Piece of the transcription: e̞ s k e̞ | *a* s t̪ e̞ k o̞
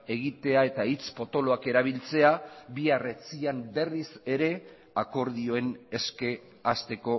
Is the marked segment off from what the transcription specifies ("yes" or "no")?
no